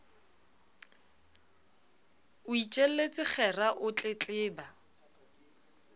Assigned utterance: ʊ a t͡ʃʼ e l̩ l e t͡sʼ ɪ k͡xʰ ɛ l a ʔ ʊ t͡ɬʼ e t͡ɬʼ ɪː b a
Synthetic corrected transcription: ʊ i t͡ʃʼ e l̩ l e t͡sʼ ɪ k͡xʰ ɛ r a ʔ ʊ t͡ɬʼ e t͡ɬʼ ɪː b a